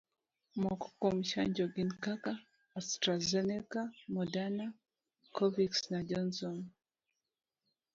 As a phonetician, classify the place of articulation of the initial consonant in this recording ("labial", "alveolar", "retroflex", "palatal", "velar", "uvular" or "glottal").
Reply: labial